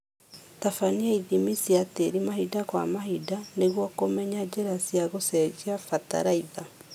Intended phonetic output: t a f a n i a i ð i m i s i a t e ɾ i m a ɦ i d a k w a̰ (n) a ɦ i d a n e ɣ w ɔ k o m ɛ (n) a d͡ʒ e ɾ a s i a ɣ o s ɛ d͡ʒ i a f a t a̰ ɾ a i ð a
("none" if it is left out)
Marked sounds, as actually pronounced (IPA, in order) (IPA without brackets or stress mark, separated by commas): m, ɲ